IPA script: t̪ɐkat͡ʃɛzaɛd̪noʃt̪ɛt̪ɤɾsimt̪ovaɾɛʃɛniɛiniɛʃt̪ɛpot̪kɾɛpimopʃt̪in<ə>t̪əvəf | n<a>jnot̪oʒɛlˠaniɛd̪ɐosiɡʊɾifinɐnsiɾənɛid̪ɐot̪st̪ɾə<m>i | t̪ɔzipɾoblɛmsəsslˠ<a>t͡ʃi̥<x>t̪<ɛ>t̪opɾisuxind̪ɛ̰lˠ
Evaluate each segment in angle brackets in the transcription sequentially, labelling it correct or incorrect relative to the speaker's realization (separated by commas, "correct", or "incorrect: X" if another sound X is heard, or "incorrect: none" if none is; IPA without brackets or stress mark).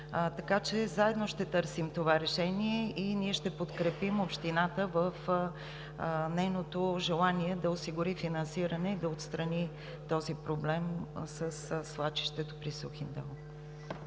incorrect: a, incorrect: ɛ, incorrect: n, correct, incorrect: ʃ, correct